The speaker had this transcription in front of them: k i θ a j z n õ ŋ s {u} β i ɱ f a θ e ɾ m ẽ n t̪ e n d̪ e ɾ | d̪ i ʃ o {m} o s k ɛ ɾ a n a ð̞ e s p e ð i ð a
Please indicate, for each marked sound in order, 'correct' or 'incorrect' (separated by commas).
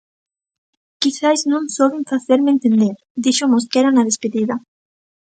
incorrect, correct